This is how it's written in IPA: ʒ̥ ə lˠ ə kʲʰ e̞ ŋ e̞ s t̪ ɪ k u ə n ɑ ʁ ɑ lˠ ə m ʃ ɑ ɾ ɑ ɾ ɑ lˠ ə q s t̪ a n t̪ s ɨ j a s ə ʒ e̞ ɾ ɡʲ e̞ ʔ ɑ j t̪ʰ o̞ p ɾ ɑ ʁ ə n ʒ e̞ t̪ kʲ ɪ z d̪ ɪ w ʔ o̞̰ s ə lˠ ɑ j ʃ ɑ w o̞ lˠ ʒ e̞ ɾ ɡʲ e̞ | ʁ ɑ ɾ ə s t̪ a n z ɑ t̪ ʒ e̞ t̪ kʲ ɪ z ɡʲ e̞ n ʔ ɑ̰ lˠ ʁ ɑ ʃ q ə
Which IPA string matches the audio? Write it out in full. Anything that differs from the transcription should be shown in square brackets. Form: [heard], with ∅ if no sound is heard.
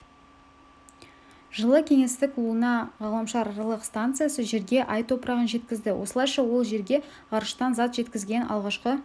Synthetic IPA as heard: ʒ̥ ə lˠ ə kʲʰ e̞ ŋ e̞ s t̪ ɪ k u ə n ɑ ʁ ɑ lˠ ə m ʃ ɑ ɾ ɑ ɾ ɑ lˠ ə q s t̪ a n t̪ s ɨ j a s ə ʒ e̞ ɾ ɡʲ e̞ ʔ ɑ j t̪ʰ o̞ p ɾ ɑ ʁ ə n ʒ e̞ t̪ kʲ ɪ z d̪ ɪ w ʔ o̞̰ s ə lˠ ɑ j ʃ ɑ w o̞ lˠ ʒ e̞ ɾ ɡʲ e̞ | ʁ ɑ ɾ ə [ʃ] t̪ [ɑ] n z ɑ t̪ ʒ e̞ t̪ kʲ ɪ z ɡʲ e̞ n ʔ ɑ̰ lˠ ʁ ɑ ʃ q ə